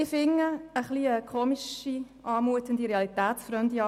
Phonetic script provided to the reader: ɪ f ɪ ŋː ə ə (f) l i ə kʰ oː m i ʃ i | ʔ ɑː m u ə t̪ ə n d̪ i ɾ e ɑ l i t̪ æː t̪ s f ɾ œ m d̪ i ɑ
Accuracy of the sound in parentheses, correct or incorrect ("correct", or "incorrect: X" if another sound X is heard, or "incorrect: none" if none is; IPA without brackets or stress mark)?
incorrect: χ